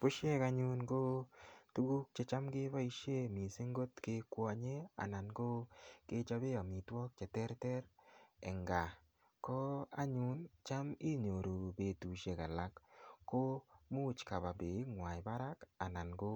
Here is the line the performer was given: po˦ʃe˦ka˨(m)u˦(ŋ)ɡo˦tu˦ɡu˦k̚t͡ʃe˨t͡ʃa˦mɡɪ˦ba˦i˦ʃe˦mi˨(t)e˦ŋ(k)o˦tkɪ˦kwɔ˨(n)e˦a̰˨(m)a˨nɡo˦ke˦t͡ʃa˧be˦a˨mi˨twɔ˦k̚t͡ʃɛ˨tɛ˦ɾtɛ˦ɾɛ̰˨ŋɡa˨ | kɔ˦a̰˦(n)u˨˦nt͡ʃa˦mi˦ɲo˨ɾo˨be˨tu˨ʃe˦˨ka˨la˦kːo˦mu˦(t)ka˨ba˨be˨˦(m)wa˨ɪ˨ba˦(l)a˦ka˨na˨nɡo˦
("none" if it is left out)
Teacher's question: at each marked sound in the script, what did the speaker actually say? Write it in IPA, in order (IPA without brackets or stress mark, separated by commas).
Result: ɲ, n, s, ɡ, ɲ, n, ɲ, t͡ʃ, ŋ, ɾ